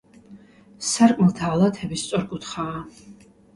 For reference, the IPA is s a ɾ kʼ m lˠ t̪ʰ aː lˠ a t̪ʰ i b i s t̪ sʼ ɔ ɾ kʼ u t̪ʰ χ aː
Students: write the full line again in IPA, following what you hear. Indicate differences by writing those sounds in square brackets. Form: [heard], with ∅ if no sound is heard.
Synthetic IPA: s a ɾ kʼ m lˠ t̪ʰ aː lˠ a t̪ʰ [ɛ] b i s t̪ sʼ ɔ ɾ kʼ u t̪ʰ χ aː